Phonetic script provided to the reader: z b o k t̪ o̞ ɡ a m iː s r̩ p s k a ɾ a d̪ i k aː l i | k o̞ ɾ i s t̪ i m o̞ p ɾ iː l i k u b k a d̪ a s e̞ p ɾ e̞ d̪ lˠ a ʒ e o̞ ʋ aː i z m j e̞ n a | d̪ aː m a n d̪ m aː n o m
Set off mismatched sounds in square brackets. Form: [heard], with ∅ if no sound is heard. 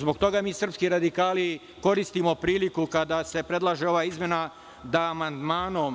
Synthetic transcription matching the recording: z b o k t̪ o̞ ɡ a m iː s r̩ p s k [i] ɾ a d̪ i k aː l i | k o̞ ɾ i s t̪ i m o̞ p ɾ iː l i k u [∅] k a d̪ a s e̞ p ɾ e̞ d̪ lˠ a ʒ e o̞ ʋ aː i z m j e̞ n a | d̪ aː m a n d̪ m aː n o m